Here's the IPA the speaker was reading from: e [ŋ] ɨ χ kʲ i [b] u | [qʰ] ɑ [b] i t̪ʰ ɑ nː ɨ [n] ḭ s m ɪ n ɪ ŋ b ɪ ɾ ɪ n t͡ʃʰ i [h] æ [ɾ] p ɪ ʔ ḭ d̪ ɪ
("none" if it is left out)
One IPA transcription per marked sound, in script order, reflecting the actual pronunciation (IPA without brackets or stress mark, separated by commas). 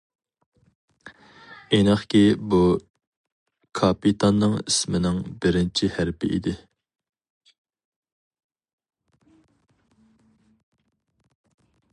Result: n, b, kʰ, p, ŋ, h, ɾ